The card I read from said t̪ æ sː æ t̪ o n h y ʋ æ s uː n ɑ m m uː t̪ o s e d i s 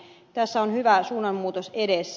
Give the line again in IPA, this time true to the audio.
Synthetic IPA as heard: t̪ æ sː æ o n h y ʋ æ s uː n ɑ m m uː t̪ o s e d e s